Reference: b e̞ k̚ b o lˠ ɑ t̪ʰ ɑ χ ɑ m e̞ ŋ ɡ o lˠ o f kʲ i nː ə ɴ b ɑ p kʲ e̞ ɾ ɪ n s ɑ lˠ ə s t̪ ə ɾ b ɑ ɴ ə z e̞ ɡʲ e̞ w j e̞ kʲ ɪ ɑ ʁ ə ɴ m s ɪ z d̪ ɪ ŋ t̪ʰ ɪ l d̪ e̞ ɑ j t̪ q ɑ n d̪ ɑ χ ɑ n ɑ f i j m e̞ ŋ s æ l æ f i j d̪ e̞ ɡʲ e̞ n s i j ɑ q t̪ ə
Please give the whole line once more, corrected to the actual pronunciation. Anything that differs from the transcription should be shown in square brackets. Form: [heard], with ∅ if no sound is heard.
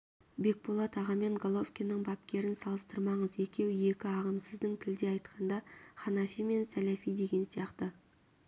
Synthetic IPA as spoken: b e̞ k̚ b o lˠ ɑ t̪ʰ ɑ [ʁ] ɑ m e̞ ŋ ɡ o lˠ o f kʲ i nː ə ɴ b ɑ p kʲ e̞ ɾ ɪ n s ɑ lˠ ə s t̪ ə ɾ [m] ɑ ɴ ə z e̞ [kʲ] e̞ w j e̞ kʲ ɪ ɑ ʁ ə [∅] m s ɪ z d̪ ɪ ŋ t̪ʰ ɪ l d̪ e̞ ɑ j t̪ q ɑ n d̪ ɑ χ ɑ n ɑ f i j m e̞ [n] s æ l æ f i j d̪ e̞ ɡʲ e̞ n s i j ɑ q t̪ ə